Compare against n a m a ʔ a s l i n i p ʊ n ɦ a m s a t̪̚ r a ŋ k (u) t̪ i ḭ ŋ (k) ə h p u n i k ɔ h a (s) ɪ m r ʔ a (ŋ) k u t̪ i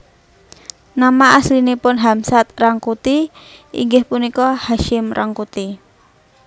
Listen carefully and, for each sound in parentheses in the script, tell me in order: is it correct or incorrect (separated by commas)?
correct, incorrect, incorrect, correct